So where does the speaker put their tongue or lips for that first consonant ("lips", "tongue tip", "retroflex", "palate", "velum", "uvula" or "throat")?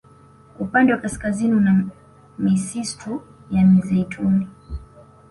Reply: lips